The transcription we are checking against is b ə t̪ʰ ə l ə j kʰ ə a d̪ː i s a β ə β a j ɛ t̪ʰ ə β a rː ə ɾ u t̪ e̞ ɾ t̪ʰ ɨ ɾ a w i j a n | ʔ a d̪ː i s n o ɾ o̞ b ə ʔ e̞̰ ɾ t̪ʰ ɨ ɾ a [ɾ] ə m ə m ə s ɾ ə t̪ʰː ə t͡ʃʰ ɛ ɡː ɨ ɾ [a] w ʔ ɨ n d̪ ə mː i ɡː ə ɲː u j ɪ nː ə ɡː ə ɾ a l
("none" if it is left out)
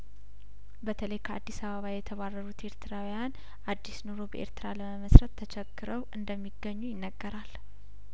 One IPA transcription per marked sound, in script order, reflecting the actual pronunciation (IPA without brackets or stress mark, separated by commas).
l, ə